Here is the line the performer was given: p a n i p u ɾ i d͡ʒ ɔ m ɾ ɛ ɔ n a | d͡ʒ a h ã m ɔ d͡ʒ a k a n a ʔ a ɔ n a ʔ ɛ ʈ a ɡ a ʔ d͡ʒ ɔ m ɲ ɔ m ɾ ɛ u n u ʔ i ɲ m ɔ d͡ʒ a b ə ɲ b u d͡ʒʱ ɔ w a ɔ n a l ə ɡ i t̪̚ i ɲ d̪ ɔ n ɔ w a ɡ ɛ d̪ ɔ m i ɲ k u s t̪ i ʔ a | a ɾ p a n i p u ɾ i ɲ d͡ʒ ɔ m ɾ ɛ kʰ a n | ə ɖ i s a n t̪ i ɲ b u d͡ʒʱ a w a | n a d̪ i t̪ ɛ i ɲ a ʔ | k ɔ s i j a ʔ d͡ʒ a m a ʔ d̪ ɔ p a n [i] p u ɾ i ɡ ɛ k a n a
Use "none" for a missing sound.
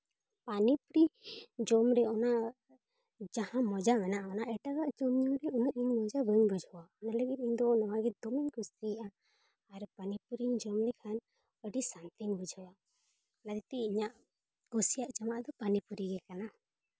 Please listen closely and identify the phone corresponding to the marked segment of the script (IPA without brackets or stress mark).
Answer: i